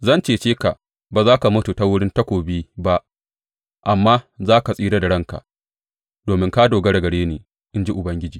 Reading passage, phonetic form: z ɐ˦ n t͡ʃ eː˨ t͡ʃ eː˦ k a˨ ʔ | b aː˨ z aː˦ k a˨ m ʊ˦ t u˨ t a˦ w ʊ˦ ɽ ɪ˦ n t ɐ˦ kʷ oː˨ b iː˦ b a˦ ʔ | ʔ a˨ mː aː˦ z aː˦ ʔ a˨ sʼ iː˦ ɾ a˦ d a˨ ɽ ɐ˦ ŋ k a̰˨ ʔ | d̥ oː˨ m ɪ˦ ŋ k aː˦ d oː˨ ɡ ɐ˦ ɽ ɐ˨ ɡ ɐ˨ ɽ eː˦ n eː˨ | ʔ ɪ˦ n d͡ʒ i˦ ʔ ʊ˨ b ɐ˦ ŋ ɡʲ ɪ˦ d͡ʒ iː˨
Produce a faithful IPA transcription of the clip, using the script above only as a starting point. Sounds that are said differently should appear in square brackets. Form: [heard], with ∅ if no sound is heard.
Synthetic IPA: z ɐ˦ n t͡ʃ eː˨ t͡ʃ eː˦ k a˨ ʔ | b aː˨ z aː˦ k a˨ m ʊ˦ t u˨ t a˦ w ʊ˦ ɽ ɪ˦ n t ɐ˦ kʷ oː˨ b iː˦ b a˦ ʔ | ʔ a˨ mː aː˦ z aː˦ [k] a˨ sʼ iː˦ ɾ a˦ d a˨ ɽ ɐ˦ ŋ k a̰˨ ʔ | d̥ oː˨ m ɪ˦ ŋ k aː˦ d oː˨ ɡ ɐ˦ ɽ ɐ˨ ɡ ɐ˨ ɽ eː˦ n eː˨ | ʔ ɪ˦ n d͡ʒ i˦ ʔ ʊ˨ b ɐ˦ ŋ ɡʲ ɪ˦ d͡ʒ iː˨